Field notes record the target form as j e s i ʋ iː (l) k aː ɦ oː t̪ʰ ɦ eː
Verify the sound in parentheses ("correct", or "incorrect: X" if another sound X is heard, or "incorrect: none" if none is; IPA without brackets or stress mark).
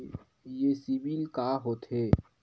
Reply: correct